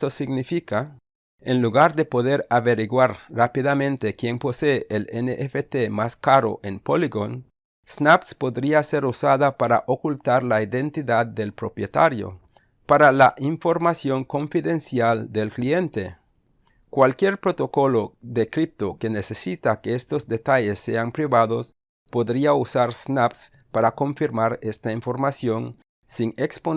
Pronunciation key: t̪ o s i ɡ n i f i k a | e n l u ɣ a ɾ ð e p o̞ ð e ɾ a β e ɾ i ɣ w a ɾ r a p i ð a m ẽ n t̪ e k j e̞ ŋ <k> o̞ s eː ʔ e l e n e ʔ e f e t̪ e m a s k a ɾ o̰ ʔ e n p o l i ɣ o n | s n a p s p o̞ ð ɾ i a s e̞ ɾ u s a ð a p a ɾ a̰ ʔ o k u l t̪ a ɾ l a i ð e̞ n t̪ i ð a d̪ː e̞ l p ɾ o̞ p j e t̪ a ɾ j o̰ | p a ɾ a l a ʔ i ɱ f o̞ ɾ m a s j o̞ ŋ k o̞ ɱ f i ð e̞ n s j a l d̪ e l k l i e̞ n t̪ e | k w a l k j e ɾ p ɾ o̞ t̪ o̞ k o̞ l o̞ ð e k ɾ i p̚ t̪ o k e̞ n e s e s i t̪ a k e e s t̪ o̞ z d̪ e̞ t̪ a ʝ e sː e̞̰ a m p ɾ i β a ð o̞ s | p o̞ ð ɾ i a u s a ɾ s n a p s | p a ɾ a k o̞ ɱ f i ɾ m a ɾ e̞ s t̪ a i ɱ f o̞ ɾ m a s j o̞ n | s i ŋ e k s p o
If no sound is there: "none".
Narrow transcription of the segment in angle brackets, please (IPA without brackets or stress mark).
p